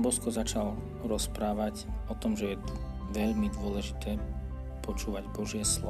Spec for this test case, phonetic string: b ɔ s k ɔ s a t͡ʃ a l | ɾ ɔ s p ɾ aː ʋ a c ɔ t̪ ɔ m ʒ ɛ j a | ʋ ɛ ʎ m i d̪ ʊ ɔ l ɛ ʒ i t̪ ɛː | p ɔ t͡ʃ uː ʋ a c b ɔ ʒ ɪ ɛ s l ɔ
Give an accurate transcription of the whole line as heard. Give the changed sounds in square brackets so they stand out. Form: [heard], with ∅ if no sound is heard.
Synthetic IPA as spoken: b ɔ s k ɔ [z] a t͡ʃ a l | ɾ ɔ s p ɾ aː ʋ a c ɔ t̪ ɔ m ʒ ɛ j [ɛ] | ʋ ɛ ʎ m i d̪ ʊ ɔ l ɛ ʒ i t̪ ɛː | p ɔ t͡ʃ uː ʋ a [ɟ] b ɔ ʒ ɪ ɛ s l ɔ